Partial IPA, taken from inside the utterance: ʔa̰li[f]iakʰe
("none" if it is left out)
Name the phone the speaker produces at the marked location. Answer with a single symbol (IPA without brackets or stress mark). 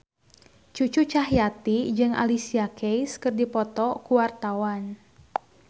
s